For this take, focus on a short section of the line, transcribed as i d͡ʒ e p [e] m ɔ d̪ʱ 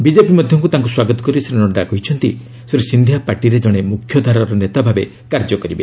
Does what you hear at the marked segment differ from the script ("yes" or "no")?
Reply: yes